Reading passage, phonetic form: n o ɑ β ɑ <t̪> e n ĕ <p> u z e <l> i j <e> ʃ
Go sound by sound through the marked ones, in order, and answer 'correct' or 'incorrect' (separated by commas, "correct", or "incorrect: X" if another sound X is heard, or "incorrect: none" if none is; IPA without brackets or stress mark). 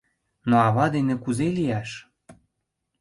incorrect: d̪, incorrect: k, correct, incorrect: æ